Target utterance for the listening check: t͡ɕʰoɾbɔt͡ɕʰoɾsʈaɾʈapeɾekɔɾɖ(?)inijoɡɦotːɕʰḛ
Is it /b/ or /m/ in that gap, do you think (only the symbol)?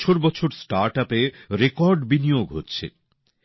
b